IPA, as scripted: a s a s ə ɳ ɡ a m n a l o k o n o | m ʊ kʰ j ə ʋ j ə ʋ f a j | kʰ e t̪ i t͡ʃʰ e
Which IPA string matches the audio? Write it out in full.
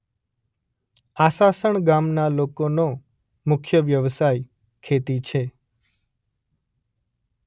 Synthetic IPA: a s a s ə ɳ ɡ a m n a l o k o n o | m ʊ kʰ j ə ʋ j ə ʋ s a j | kʰ e t̪ i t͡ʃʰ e